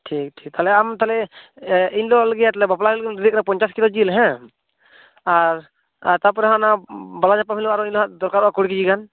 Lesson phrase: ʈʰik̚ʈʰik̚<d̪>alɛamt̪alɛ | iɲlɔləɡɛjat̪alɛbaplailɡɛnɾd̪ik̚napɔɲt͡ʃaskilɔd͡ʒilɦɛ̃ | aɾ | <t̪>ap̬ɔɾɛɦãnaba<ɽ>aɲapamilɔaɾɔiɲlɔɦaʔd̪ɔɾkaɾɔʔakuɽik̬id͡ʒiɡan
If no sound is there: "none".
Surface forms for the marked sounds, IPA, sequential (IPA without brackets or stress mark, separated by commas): t̪, t̪, l